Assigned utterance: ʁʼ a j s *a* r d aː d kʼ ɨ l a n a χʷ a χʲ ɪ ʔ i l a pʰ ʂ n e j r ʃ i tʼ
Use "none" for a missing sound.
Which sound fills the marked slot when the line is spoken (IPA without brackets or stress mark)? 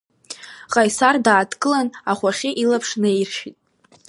a